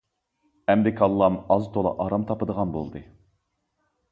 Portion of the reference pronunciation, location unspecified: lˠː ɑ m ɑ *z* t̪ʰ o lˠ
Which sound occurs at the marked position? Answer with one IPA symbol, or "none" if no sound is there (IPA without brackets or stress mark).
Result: z